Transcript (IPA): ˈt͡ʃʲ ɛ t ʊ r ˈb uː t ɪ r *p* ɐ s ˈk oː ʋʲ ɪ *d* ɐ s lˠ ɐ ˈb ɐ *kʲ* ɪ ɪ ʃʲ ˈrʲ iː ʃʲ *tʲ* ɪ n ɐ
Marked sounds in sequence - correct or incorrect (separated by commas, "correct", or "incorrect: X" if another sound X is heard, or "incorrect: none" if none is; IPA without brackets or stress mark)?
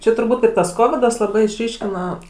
incorrect: t, correct, incorrect: none, incorrect: kʲ